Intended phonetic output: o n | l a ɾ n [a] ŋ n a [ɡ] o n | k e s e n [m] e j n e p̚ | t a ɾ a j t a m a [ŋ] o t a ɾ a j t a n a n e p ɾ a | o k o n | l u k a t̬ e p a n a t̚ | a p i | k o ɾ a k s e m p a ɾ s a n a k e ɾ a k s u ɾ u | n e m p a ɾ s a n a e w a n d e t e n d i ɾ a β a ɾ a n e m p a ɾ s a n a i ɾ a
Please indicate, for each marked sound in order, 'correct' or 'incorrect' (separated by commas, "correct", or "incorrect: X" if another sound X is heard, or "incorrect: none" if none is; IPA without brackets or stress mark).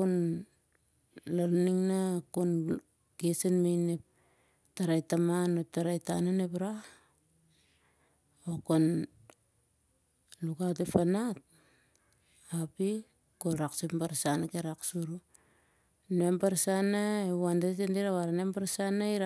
incorrect: i, incorrect: k, correct, incorrect: n